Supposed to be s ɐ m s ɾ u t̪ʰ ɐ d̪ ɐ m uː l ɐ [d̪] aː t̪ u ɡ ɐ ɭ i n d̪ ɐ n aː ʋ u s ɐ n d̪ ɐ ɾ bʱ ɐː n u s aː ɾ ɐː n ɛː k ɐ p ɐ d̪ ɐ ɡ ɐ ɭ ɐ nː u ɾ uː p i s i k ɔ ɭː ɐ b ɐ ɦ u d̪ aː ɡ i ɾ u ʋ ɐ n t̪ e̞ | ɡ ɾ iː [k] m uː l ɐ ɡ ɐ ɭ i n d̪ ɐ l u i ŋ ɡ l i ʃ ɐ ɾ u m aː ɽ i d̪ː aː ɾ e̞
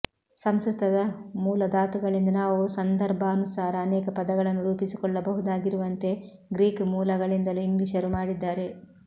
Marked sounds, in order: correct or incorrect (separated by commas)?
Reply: correct, correct